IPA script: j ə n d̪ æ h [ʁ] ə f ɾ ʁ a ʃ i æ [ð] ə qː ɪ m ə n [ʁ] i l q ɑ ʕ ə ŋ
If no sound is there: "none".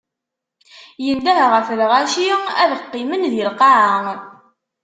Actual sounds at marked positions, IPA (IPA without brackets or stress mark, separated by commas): ʁ, ð, ð